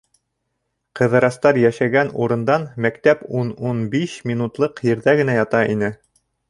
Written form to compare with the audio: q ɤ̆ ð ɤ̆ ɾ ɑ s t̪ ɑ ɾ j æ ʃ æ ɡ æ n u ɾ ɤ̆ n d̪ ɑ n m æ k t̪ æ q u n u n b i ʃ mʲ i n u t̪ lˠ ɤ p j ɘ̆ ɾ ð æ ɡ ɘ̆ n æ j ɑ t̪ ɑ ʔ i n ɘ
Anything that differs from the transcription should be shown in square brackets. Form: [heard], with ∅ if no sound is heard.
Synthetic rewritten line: q ɤ̆ ð ɤ̆ ɾ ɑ s t̪ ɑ ɾ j æ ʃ æ ɡ æ n u ɾ ɤ̆ n d̪ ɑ n m æ k t̪ æ [p] u n u n b i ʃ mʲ i n u t̪ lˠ ɤ [q] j ɘ̆ ɾ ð æ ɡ ɘ̆ n æ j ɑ t̪ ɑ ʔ i n ɘ